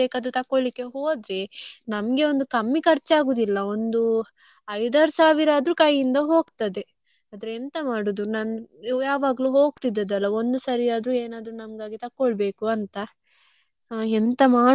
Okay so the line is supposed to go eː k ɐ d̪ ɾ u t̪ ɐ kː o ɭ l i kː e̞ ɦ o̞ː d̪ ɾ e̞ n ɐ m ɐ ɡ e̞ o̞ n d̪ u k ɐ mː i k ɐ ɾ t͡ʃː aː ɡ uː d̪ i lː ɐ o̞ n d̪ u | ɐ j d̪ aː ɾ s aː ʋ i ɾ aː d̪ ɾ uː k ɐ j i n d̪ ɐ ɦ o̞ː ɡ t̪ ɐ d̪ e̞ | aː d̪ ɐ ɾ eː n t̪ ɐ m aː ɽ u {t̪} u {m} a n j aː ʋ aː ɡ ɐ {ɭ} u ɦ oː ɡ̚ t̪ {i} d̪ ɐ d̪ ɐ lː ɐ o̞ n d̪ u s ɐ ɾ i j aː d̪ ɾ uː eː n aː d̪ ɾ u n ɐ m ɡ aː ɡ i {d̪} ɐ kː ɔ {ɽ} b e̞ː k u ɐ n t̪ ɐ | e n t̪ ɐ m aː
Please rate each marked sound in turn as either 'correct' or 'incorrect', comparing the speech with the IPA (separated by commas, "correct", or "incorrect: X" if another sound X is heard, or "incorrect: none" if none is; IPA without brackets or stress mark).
incorrect: d̪, incorrect: n, incorrect: l, correct, incorrect: t̪, incorrect: ɭ